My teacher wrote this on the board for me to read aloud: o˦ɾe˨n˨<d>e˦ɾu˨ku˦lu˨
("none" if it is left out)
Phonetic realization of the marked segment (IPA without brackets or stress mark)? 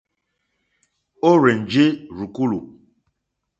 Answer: d͡ʒ